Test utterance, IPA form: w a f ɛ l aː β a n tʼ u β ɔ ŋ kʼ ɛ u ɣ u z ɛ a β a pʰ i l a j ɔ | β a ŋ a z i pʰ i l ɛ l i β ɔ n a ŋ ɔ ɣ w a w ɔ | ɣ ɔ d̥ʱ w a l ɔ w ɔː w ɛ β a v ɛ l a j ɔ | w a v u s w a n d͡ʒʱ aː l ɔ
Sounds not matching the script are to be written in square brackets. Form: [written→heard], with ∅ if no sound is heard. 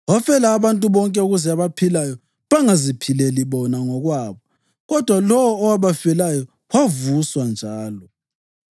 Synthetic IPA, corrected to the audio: w a f ɛ l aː β a n tʼ u β ɔ ŋ kʼ ɛ u ɣ u z ɛ a β a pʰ i l a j ɔ | β a ŋ a z i pʰ i l ɛ l i β ɔ n a ŋ ɔ ɣ w a [w→β] ɔ | ɣ ɔ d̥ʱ w a l ɔ w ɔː w [ɛ→a] β a [v→f] ɛ l a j ɔ | w a v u s w a n d͡ʒʱ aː l ɔ

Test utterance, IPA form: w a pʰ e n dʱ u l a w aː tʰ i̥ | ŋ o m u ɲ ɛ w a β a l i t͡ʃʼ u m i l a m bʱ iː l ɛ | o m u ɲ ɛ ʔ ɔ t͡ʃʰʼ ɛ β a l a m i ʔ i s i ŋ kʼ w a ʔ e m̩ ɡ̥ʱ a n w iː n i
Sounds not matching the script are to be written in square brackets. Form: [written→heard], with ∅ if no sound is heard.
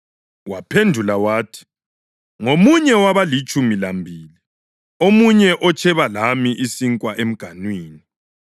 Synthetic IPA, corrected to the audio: w a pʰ e n dʱ u l a w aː tʰ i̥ | ŋ o m u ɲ ɛ w a β a l i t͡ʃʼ u m i l a m bʱ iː l [ɛ→i] | o m u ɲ ɛ ʔ ɔ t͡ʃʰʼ ɛ β a l a m i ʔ i s i ŋ kʼ w a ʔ e m̩ ɡ̥ʱ a n w iː n i

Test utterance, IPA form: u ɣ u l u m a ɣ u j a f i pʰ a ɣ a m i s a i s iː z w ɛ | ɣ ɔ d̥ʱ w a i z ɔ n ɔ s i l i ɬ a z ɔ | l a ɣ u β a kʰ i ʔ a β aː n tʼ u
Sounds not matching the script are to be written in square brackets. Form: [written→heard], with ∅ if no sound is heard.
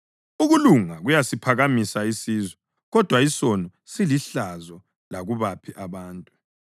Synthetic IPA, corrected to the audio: u ɣ u l u [m→ŋ] a ɣ u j a [f→s] i pʰ a ɣ a m i s a i s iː z w ɛ | ɣ ɔ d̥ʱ w a i [z→s] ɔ n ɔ s i l i ɬ a z ɔ | l a ɣ u β a [kʰ→pʰ] i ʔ a β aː n tʼ u

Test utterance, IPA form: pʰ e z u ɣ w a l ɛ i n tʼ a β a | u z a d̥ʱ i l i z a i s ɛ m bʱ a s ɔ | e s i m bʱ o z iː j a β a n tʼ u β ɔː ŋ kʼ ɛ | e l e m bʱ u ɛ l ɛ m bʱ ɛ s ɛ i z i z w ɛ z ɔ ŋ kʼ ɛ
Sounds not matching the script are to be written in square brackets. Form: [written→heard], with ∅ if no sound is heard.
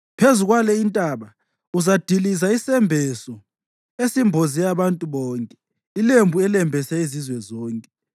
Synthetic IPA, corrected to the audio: pʰ e z u ɣ w a l ɛ i n tʼ a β a | u z a d̥ʱ i l i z a i s ɛ m bʱ [a→ɛ] s ɔ | e s i m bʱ o z [iː→i] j a β a n tʼ u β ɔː ŋ kʼ ɛ | [e→i] l e m bʱ u ɛ l ɛ m bʱ ɛ s ɛ i z i z w ɛ z [ɔ→ɔː] ŋ kʼ ɛ

